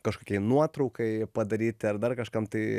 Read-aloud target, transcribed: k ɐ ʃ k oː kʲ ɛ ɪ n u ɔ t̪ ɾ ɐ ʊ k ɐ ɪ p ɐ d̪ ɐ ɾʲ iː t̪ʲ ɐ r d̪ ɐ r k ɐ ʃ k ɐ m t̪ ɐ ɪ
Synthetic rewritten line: k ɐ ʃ k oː kʲ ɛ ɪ n u ɔ t̪ ɾ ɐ ʊ k ɐ ɪ p ɐ d̪ ɐ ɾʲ iː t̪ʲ ɐ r d̪ ɐ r k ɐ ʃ k ɐ m t̪ ɐ ɪ

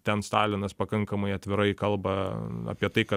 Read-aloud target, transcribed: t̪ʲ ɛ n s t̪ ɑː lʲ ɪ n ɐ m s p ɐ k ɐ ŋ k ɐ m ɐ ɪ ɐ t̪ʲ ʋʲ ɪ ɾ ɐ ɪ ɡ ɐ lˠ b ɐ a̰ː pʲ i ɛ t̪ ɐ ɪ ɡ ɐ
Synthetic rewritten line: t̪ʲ ɛ n s t̪ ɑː lʲ ɪ n ɐ s p ɐ k ɐ ŋ k ɐ m ɐ ɪ ɐ t̪ʲ ʋʲ ɪ ɾ ɐ ɪ k ɐ lˠ b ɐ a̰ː pʲ i ɛ t̪ ɐ ɪ k ɐ

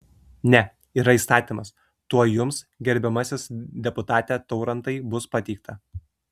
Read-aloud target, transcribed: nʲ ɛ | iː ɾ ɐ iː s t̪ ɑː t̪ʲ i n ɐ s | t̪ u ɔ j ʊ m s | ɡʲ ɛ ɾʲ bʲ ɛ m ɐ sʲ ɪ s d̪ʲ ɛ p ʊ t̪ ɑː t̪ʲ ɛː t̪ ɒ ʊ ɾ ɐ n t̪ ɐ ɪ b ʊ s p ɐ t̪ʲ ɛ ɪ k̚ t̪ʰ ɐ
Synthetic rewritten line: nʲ ɛ | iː ɾ ɐ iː s t̪ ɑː t̪ʲ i m ɐ s | t̪ u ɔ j ʊ m s | ɡʲ ɛ ɾʲ bʲ ɛ m ɐ sʲ ɪ s d̪ʲ ɛ p ʊ t̪ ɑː t̪ʲ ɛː t̪ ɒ ʊ ɾ ɐ n t̪ ɐ ɪ b ʊ s p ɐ t̪ʲ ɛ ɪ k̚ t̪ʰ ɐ

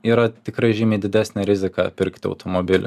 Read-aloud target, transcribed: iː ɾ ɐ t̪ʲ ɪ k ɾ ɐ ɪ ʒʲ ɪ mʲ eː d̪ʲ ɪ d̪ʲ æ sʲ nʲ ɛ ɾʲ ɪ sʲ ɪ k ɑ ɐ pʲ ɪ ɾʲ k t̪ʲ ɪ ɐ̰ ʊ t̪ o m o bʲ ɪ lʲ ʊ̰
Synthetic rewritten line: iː ɾ ɐ t̪ʲ ɪ k ɾ ɐ ɪ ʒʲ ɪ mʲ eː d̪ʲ ɪ d̪ʲ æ sʲ nʲ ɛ ɾʲ ɪ zʲ ɪ k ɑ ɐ pʲ ɪ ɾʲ k t̪ʲ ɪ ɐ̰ ʊ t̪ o m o bʲ ɪ lʲ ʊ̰

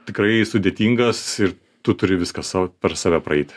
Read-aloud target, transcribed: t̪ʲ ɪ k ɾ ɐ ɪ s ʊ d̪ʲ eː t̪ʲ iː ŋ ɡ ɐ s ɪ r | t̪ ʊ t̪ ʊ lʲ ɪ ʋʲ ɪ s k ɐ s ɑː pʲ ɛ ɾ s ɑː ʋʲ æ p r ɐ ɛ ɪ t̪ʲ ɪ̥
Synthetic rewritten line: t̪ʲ ɪ k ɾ ɐ ɪ s ʊ d̪ʲ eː t̪ʲ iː ŋ ɡ ɐ s ɪ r | t̪ ʊ t̪ ʊ ɾʲ ɪ ʋʲ ɪ s k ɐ s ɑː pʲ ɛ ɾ s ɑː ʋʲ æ p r ɐ ɛ ɪ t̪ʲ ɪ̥

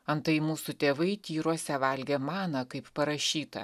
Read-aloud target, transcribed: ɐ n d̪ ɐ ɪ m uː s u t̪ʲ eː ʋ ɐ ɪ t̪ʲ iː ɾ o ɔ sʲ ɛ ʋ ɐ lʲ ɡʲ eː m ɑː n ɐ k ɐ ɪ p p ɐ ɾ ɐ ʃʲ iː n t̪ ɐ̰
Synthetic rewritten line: ɐ n t̪ ɐ ɪ m uː s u t̪ʲ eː ʋ ɐ ɪ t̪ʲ iː ɾ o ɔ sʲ ɛ ʋ ɐ lʲ ɡʲ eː m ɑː n ɐ k ɐ ɪ p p ɐ ɾ ɐ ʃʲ iː t̪ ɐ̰

